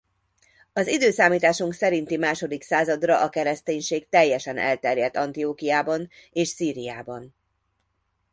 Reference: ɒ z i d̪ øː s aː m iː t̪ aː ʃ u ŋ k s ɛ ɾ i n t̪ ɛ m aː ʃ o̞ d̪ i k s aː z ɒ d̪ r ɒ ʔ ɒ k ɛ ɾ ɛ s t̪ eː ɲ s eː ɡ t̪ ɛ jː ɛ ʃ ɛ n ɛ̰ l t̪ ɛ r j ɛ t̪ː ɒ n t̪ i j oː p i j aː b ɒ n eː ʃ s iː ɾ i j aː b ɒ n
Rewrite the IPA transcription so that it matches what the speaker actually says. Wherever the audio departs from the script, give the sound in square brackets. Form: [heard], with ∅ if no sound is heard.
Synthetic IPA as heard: ɒ z i d̪ øː s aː m iː t̪ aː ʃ u ŋ k s ɛ ɾ i n t̪ [i] m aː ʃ o̞ d̪ i k s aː z ɒ d̪ r ɒ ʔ ɒ k ɛ ɾ ɛ s t̪ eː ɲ [ʃ] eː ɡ t̪ ɛ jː ɛ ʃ ɛ n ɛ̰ l t̪ ɛ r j ɛ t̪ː ɒ n t̪ i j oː [k] i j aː b ɒ n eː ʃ s iː ɾ i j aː b ɒ n

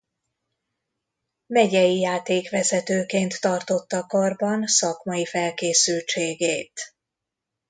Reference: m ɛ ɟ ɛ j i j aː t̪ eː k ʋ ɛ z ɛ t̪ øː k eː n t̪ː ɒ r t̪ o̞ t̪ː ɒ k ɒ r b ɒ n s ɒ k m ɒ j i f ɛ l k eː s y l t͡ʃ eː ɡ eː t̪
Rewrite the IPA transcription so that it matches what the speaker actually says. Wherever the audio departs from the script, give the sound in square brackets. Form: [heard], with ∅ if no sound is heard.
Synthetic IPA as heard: m ɛ ɟ ɛ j i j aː t̪ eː k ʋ ɛ z ɛ t̪ øː k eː n t̪ː ɒ r t̪ o̞ t̪ː ɒ k ɒ r b ɒ n s ɒ k m ɒ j i f ɛ l k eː s y l t͡ʃ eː ɡ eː t̪

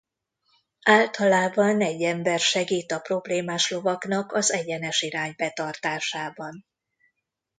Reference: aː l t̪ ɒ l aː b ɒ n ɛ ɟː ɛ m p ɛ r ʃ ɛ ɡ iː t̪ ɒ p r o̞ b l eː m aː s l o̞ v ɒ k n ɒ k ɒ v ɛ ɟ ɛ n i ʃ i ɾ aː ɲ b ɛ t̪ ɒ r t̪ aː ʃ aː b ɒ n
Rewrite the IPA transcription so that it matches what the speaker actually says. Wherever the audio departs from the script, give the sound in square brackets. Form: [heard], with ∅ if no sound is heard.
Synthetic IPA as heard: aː l t̪ ɒ l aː b ɒ n ɛ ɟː ɛ m [b] ɛ r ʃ ɛ ɡ iː t̪ ɒ p r o̞ b l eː m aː [ʃ] l o̞ v ɒ k n ɒ k ɒ [z] ɛ ɟ ɛ n [ɛ] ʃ i ɾ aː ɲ b ɛ t̪ ɒ r t̪ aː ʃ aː b ɒ n

